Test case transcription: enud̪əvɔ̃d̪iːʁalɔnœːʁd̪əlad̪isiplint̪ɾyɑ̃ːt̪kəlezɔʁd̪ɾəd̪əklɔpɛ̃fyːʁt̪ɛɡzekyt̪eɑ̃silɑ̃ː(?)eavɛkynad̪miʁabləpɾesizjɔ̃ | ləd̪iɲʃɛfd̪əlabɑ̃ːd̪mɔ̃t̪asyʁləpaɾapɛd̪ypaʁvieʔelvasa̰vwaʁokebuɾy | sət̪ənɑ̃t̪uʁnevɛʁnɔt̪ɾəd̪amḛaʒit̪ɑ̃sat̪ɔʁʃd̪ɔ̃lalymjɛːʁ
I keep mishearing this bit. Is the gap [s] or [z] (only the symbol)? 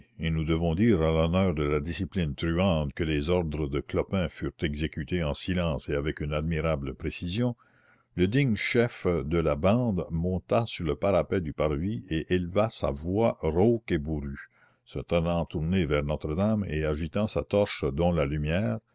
s